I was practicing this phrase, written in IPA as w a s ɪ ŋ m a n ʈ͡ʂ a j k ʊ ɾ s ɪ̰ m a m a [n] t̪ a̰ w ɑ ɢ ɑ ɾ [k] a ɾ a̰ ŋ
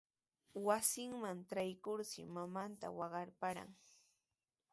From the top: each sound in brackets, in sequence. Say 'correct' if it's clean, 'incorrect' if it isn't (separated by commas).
correct, incorrect